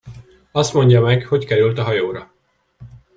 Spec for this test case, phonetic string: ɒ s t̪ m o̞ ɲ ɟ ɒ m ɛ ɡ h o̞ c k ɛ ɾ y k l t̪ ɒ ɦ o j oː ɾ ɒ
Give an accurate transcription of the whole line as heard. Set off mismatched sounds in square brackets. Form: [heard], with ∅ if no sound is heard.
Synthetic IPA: ɒ s t̪ m o̞ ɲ ɟ ɒ m ɛ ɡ h o̞ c k ɛ ɾ y [∅] l t̪ ɒ ɦ [ɒ] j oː ɾ ɒ